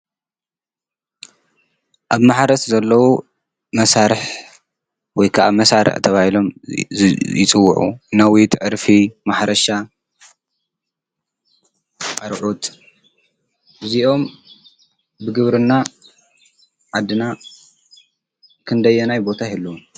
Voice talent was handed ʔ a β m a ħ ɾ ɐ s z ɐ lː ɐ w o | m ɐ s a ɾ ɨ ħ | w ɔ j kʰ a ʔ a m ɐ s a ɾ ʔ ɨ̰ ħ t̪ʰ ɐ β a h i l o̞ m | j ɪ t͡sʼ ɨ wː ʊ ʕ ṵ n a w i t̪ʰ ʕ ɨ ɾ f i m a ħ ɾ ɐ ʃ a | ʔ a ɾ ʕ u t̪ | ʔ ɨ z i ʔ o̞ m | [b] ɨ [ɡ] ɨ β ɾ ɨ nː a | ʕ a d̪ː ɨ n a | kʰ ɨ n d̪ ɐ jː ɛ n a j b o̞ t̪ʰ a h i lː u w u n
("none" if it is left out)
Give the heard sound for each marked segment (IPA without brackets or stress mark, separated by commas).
b, ɡ